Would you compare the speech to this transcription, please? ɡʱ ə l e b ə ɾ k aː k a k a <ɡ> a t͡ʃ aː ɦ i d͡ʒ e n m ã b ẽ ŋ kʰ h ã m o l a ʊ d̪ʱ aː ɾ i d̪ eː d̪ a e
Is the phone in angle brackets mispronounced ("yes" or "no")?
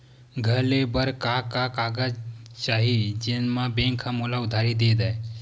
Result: no